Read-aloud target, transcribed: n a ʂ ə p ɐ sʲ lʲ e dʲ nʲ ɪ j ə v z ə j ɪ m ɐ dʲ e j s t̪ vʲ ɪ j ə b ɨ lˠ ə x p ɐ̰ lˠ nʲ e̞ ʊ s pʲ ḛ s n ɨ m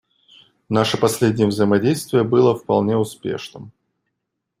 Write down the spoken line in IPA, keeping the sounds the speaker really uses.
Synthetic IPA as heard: n a ʂ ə p ɐ sʲ lʲ e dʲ nʲ ɪ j ə v z ə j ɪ m ɐ dʲ e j s t̪ vʲ ɪ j ə b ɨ lˠ ə f p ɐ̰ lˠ nʲ e̞ ʊ s pʲ ḛ ʂ n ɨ m